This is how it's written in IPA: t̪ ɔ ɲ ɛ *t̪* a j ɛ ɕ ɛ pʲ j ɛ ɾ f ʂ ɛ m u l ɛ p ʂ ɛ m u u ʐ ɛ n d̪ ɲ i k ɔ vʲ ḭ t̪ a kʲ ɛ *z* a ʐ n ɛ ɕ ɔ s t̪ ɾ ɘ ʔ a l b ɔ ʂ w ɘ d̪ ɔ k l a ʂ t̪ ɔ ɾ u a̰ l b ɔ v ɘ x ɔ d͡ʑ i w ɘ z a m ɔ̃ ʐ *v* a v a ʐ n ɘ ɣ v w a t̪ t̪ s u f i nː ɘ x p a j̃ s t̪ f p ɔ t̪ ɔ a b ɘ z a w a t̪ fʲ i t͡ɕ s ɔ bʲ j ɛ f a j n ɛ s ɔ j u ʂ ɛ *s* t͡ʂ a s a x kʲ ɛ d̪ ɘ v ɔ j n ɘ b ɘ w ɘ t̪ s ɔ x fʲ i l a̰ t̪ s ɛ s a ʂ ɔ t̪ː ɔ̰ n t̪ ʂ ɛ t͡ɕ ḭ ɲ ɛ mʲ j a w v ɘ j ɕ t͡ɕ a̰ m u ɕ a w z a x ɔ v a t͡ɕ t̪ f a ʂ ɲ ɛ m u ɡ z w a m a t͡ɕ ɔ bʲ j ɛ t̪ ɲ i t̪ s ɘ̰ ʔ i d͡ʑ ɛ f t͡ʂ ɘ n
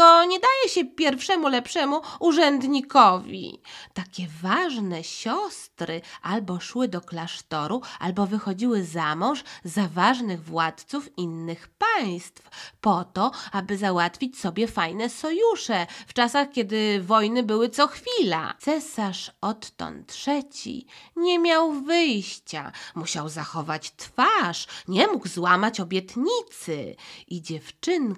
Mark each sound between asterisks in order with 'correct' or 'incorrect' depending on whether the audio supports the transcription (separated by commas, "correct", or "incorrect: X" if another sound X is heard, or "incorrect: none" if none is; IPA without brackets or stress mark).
incorrect: d̪, incorrect: v, incorrect: z, incorrect: f